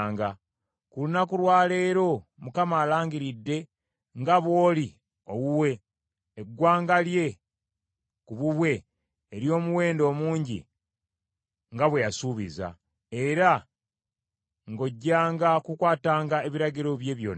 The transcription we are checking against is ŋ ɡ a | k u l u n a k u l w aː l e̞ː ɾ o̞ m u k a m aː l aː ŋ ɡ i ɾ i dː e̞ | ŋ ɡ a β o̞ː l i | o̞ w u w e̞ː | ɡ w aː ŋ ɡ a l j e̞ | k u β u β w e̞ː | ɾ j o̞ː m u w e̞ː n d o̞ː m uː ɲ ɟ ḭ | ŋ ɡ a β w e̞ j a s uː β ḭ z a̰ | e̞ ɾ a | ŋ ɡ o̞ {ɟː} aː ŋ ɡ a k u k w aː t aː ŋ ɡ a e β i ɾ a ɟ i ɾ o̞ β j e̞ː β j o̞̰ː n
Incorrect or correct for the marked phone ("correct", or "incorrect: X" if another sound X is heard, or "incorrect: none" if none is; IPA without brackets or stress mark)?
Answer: correct